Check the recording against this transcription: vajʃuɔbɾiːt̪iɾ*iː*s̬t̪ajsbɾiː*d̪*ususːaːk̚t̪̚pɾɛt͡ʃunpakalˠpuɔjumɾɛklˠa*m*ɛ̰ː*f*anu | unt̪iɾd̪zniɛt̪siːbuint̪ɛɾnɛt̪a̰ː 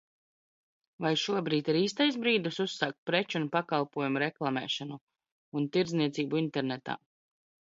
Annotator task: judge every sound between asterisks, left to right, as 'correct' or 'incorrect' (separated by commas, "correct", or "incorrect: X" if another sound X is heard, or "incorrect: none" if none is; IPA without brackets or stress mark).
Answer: correct, correct, correct, incorrect: ʃ